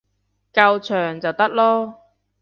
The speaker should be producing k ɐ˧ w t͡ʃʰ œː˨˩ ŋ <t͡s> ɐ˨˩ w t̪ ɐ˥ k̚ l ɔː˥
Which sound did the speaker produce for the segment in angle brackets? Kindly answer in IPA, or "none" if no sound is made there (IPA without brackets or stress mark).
t͡s